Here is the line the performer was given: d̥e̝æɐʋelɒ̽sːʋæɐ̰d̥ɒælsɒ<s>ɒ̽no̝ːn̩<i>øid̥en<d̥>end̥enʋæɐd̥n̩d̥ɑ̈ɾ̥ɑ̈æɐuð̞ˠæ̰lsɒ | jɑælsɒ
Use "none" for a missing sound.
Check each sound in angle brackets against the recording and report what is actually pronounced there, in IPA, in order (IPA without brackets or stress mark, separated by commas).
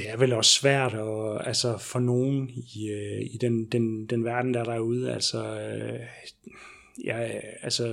f, i, d̥